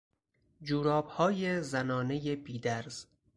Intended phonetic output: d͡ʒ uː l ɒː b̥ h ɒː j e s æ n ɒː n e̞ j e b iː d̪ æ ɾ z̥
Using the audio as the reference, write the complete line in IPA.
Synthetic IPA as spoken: d͡ʒ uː ɾ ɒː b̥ h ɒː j e z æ n ɒː n e̞ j e b iː d̪ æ ɾ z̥